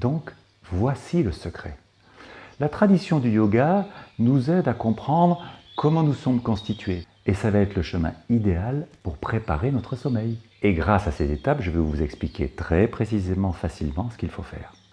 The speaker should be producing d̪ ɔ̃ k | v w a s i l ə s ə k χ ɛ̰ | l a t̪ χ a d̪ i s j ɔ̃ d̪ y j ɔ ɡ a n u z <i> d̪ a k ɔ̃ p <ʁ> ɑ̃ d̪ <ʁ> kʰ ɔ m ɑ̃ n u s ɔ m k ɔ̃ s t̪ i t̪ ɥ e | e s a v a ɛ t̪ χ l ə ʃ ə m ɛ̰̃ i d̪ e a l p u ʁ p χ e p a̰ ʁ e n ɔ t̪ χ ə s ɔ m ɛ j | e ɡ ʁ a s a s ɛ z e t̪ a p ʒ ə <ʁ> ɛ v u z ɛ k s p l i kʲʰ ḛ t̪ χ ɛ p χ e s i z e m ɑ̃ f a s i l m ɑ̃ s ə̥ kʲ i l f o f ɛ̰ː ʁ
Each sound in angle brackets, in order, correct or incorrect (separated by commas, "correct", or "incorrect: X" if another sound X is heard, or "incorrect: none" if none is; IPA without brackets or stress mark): incorrect: ɛ, incorrect: χ, correct, incorrect: v